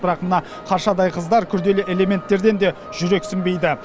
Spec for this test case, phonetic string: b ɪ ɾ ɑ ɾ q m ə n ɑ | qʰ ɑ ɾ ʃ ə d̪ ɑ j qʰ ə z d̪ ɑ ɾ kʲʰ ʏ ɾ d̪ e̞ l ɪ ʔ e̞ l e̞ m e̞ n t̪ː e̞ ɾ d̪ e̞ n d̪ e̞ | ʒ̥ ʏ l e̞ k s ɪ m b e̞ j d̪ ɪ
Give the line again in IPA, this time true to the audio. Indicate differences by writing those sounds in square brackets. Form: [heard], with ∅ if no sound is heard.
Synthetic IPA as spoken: b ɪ ɾ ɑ [∅] q m ə n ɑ | qʰ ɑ ɾ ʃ [ɑ] d̪ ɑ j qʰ ə z d̪ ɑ ɾ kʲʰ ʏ ɾ d̪ e̞ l ɪ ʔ e̞ l e̞ m e̞ n t̪ː e̞ ɾ d̪ e̞ n d̪ e̞ | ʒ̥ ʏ [ɾ] e̞ k s ɪ m b e̞ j d̪ ɪ